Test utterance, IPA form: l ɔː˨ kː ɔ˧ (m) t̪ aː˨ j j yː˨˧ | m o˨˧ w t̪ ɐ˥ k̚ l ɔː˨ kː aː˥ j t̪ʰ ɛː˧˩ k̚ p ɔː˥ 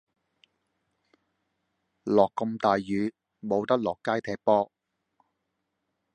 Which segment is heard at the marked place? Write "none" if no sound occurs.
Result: m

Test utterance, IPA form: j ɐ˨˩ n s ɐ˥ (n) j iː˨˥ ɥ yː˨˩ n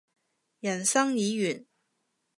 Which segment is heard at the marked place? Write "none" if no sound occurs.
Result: ŋ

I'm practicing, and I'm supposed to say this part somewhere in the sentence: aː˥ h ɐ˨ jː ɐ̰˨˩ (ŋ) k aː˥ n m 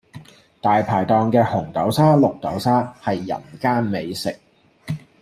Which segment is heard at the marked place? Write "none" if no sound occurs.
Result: n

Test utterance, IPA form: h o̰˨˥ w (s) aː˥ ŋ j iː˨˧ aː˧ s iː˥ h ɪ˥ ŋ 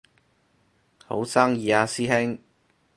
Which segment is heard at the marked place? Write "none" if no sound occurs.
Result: s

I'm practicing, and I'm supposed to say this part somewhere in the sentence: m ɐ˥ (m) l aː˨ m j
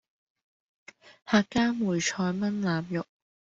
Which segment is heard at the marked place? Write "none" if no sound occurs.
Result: n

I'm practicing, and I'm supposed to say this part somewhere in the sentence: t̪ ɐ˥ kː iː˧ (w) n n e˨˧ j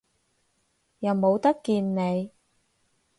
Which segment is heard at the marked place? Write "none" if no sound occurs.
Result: none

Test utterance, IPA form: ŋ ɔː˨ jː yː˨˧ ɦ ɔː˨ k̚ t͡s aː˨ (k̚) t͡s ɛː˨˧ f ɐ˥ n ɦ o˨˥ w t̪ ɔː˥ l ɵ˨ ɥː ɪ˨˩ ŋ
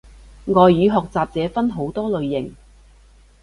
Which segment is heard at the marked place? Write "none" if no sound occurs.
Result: p̚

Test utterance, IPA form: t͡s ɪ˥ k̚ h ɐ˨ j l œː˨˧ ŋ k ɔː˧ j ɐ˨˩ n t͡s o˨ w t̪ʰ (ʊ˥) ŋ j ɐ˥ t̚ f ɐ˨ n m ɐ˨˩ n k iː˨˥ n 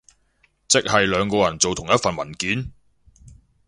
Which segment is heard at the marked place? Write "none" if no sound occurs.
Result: ʊ˨˩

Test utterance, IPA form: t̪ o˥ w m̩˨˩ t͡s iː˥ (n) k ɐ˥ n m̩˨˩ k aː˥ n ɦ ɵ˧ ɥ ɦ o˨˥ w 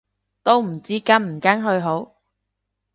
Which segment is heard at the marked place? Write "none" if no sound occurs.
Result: none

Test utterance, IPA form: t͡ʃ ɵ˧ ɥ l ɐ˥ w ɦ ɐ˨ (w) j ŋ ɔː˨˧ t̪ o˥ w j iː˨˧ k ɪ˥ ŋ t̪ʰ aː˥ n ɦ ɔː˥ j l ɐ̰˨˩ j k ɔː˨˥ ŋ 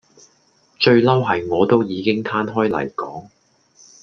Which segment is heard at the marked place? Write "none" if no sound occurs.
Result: none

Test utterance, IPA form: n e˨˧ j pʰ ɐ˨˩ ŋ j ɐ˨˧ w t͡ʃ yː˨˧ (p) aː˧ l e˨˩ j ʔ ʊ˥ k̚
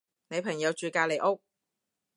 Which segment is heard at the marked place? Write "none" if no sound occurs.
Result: k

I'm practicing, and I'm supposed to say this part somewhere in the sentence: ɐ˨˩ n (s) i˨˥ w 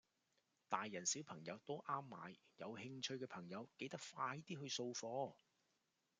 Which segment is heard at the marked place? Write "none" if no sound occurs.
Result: s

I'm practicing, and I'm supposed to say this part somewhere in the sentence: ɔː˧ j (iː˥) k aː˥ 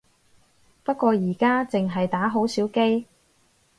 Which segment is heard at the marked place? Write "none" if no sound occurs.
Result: iː˨˩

